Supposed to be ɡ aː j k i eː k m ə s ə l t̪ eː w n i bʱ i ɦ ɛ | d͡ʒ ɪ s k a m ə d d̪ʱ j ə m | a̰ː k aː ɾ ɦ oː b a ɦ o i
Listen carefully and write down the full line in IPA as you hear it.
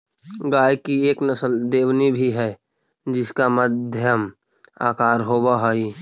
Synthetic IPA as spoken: ɡ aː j k i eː k n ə s ə l d̪ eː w n i bʱ i ɦ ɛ | d͡ʒ ɪ s k a m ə d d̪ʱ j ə m | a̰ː k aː ɾ ɦ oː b a ɦ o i